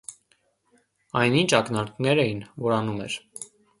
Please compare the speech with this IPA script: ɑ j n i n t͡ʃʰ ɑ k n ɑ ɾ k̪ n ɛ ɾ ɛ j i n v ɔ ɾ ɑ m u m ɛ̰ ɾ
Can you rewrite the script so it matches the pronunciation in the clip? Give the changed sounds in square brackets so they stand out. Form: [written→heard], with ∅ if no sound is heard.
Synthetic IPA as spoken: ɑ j n i n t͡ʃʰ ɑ k n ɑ ɾ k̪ n ɛ ɾ ɛ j i n v ɔ ɾ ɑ [m→n] u m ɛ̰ ɾ